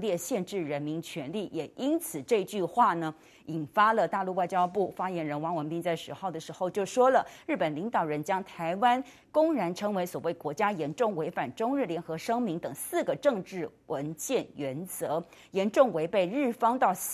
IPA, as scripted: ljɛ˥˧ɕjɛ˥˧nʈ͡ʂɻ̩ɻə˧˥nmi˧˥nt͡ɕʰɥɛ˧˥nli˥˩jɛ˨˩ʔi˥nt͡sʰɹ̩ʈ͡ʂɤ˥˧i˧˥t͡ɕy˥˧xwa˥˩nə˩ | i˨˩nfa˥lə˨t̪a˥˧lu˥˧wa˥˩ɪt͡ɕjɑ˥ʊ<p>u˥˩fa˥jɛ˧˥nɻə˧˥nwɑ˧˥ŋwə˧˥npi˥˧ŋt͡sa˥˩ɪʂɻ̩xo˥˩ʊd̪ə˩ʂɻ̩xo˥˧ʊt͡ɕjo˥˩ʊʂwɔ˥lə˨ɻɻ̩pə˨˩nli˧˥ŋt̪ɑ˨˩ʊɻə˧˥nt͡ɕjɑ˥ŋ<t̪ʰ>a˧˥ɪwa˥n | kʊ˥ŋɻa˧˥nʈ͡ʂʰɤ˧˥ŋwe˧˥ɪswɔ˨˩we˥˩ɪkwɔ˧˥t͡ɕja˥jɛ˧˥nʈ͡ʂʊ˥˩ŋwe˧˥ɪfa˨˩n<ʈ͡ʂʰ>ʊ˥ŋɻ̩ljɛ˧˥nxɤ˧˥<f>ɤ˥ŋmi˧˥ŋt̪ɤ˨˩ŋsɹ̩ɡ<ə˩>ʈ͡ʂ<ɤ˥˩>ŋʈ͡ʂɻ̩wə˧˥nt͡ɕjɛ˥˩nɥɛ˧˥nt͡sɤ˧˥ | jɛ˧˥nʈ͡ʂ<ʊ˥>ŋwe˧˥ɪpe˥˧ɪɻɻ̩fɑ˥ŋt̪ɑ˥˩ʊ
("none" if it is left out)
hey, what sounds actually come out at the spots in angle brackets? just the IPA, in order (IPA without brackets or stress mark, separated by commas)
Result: p, t̪ʰ, ʈ͡ʂ, ʂ, ə˩, ɤ˥˧, ʊ˥˩